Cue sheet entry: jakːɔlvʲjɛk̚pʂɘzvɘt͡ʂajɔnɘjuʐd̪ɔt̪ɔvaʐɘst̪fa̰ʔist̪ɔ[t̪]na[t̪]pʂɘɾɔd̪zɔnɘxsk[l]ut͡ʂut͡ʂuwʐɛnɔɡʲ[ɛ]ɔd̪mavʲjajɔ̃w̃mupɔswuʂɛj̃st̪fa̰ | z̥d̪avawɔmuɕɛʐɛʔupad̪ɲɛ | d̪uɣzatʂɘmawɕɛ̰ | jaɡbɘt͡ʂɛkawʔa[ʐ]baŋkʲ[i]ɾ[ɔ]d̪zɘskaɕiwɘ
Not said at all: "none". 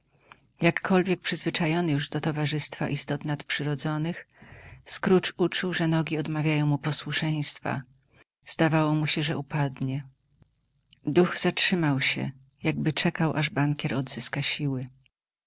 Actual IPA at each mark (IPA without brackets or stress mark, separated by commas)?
t̪, t̪, ɾ, i, ʐ, ɛ, ɔ